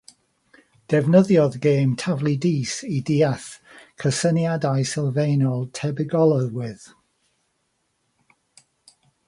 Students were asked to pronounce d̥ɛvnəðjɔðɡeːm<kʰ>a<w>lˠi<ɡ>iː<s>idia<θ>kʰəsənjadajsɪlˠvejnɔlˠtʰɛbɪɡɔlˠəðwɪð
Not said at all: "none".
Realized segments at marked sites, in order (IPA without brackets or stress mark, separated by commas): tʰ, v, d, s, θ